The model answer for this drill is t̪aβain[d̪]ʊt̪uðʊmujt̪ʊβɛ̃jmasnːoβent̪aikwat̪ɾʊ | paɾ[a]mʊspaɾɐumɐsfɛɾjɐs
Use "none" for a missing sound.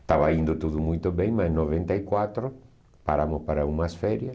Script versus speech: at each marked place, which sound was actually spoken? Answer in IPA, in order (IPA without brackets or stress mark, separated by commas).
d̪, a